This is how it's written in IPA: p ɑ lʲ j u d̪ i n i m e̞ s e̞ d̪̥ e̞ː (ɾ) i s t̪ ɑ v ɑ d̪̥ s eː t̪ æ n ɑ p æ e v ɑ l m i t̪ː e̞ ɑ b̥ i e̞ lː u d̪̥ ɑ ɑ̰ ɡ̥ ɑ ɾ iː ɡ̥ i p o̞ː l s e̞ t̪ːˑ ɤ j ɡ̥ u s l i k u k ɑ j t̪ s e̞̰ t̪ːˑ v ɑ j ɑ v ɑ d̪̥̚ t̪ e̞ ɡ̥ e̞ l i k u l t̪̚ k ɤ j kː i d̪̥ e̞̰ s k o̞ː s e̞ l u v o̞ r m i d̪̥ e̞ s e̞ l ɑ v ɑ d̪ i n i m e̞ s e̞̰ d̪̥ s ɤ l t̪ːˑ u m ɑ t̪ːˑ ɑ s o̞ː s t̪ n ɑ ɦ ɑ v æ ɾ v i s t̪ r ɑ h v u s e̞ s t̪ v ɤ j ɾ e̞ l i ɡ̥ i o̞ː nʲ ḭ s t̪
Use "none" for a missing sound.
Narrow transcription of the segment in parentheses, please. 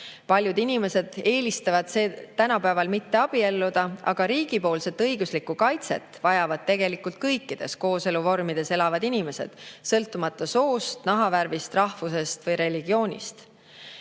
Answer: l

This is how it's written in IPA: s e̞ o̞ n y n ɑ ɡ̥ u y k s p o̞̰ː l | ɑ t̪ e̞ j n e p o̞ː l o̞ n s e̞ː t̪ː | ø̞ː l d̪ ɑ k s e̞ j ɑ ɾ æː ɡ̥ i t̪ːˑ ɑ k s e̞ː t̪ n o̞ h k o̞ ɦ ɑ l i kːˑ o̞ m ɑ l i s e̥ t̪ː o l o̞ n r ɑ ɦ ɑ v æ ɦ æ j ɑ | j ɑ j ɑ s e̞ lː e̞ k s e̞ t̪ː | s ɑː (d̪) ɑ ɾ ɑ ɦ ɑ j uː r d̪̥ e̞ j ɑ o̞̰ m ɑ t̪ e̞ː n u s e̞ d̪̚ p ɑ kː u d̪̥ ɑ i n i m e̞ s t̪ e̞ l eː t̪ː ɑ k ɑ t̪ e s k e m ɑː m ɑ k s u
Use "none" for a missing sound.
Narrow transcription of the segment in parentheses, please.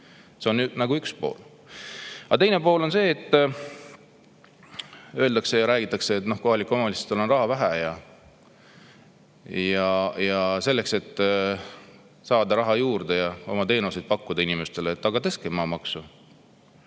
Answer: d̪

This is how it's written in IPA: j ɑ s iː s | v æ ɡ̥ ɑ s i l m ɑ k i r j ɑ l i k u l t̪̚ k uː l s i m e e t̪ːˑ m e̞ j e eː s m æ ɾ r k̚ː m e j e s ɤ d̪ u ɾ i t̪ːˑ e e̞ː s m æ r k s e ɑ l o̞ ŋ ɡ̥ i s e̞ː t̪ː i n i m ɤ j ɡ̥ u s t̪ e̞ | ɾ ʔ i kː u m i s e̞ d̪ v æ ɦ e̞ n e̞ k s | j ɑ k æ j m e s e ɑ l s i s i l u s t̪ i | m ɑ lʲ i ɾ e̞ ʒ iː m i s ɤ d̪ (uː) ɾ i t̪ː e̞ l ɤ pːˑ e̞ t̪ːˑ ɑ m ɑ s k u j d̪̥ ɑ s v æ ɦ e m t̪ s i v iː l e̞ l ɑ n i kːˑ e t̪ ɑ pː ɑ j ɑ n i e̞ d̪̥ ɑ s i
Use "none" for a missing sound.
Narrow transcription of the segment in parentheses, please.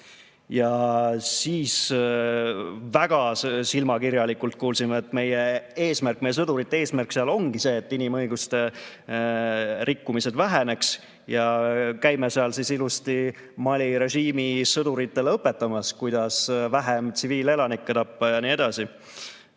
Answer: u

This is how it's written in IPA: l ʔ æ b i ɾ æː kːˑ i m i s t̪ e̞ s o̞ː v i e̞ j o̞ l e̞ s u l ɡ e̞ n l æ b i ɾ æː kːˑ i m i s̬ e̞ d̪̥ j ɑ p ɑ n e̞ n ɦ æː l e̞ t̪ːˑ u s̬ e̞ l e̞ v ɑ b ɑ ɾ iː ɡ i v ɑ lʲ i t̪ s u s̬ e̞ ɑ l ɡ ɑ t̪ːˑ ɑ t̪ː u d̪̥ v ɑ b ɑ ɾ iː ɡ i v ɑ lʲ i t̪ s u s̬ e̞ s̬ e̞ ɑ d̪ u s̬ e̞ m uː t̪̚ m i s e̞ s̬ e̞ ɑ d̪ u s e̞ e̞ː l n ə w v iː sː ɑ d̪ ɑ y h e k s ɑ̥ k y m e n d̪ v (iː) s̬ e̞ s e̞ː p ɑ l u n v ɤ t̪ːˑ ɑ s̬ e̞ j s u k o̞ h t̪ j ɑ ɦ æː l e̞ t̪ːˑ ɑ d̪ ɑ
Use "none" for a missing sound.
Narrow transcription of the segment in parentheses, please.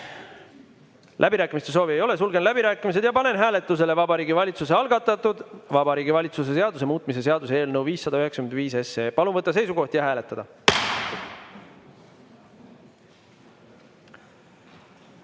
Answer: iː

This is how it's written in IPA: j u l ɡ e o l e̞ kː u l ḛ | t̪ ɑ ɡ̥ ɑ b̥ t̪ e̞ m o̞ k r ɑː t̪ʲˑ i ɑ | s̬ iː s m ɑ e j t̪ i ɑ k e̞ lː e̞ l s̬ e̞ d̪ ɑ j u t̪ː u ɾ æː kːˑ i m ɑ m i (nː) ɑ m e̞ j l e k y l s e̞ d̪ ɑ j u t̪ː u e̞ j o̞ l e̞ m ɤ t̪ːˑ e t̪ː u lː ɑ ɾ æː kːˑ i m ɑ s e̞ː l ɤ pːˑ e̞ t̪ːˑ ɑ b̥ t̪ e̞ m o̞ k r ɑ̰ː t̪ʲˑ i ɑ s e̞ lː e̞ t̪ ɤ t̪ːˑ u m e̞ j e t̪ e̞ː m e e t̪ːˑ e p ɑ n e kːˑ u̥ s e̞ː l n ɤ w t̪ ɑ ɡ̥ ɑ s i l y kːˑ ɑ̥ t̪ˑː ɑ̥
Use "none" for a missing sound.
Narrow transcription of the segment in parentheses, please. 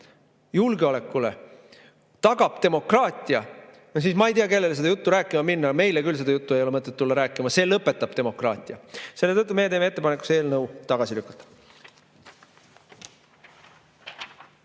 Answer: nː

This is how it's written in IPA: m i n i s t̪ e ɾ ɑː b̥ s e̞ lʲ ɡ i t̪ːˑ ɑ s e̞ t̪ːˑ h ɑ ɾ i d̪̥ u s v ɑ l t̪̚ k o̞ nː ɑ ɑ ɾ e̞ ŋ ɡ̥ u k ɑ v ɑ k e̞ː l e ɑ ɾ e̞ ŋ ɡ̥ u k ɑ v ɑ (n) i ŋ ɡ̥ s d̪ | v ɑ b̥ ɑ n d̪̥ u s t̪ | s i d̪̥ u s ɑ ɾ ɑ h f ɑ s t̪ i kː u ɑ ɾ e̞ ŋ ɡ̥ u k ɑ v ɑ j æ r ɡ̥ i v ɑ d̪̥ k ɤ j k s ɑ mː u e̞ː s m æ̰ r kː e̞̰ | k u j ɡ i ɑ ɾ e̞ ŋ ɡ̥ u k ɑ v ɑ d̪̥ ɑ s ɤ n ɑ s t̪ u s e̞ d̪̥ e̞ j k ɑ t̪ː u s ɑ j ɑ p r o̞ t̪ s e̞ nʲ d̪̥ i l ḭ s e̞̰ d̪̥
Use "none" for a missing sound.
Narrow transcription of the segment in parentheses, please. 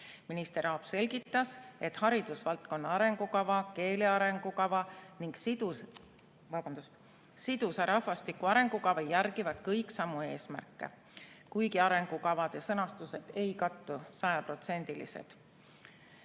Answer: n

